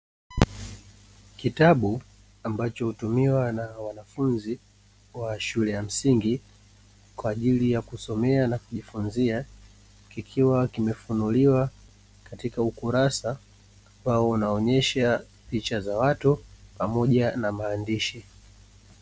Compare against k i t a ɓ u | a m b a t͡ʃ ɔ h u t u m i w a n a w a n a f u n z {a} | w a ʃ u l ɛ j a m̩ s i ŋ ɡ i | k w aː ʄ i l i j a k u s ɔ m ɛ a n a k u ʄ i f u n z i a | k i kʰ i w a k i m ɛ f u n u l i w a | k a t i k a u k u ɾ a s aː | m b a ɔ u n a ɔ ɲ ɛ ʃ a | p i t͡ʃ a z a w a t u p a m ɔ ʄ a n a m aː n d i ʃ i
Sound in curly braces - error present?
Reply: yes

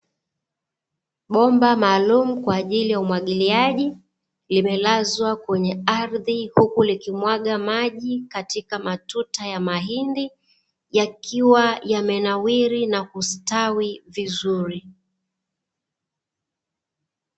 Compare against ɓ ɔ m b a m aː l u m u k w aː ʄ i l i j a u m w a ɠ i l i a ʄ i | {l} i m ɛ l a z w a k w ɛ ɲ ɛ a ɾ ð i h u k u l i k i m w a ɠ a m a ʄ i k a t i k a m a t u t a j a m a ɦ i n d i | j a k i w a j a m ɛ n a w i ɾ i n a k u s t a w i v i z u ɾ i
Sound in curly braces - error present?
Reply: no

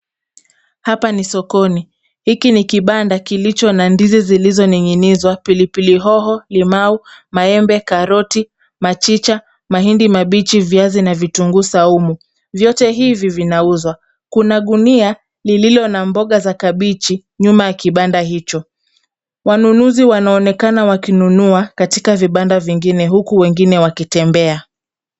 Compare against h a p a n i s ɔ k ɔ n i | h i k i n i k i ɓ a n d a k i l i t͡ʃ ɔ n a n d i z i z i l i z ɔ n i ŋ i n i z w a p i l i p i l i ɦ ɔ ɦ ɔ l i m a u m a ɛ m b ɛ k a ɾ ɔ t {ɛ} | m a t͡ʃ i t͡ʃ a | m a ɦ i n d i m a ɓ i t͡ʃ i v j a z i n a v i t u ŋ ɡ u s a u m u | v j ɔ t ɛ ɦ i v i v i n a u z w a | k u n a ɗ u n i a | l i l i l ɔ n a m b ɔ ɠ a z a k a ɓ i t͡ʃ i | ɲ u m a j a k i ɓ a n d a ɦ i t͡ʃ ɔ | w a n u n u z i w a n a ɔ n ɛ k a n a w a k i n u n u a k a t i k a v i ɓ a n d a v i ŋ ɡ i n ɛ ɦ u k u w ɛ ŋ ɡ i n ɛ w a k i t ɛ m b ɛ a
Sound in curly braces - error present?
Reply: yes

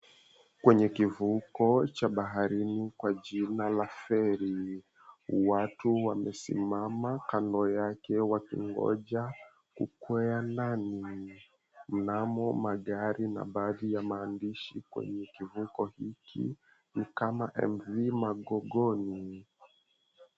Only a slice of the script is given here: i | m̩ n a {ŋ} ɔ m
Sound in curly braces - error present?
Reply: yes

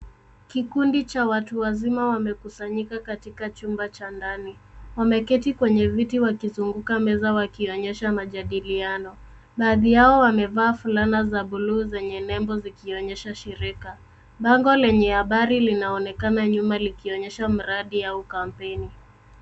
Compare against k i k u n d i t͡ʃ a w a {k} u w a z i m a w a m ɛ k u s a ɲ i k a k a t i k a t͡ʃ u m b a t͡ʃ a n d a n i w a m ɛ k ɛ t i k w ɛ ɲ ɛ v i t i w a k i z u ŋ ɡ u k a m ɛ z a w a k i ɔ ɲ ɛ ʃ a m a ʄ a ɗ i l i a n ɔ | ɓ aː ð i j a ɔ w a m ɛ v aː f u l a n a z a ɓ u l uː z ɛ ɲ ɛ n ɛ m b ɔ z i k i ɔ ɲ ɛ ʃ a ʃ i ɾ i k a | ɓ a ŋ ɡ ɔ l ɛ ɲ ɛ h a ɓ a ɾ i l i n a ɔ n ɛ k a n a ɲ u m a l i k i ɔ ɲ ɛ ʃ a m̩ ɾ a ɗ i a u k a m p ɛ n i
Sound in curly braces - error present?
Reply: yes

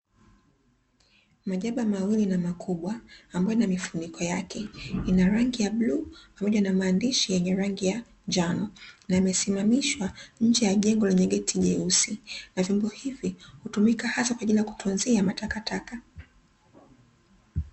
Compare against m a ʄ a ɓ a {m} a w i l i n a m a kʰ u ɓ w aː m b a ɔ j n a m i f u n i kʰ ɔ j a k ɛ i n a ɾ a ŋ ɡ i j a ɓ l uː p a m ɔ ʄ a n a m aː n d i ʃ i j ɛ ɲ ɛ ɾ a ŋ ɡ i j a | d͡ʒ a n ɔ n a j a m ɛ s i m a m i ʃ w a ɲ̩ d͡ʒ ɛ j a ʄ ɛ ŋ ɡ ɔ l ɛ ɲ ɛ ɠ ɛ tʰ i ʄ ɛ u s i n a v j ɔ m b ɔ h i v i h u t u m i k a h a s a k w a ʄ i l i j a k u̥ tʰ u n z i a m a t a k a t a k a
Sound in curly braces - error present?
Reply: no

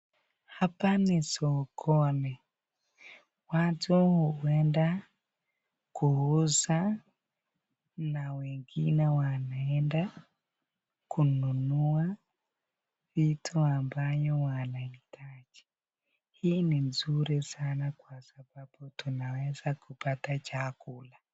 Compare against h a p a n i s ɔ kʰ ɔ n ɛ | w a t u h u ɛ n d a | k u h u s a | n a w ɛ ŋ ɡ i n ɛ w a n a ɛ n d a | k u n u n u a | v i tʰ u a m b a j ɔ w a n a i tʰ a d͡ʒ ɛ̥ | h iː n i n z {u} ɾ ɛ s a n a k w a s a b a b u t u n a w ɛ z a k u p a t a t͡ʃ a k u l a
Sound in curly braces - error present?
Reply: no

